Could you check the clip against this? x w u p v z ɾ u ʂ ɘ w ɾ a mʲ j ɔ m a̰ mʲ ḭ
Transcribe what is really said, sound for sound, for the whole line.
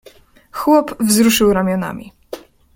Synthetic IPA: x w ɔ p v z ɾ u ʂ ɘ w ɾ a mʲ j ɔ n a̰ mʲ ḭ